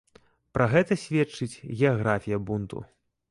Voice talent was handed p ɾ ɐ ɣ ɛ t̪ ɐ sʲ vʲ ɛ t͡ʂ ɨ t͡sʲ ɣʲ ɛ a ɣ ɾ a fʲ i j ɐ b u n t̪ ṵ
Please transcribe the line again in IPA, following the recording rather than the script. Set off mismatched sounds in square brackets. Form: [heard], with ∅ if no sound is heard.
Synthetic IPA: p ɾ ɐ ɣ ɛ t̪ ɐ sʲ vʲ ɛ t͡ʂ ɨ t͡sʲ ɣʲ ɛ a ɣ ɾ a fʲ i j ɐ b u n t̪ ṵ